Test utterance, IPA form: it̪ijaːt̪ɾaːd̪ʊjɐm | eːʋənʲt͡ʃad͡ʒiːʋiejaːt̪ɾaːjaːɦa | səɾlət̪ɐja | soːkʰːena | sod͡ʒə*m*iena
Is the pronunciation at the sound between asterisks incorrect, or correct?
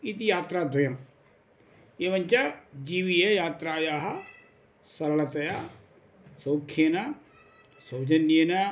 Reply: incorrect